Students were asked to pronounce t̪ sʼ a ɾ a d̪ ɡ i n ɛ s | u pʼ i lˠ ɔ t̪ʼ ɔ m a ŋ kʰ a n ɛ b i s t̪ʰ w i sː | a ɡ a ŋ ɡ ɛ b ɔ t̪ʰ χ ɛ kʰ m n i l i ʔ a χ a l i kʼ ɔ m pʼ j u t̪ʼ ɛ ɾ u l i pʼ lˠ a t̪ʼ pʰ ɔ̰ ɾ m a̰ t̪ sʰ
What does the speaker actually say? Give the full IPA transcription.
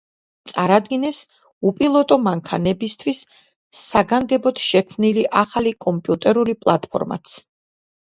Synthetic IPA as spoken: t̪ sʼ a ɾ a d̪ ɡ i n ɛ s | u pʼ i lˠ ɔ t̪ʼ ɔ m a ŋ kʰ a n ɛ b i s t̪ʰ w i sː | a ɡ a ŋ ɡ ɛ b ɔ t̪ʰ ʃ ɛ kʰ m n i l i ʔ a χ a l i kʼ ɔ m pʼ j u t̪ʼ ɛ ɾ u l i pʼ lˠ a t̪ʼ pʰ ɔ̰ ɾ m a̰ t̪ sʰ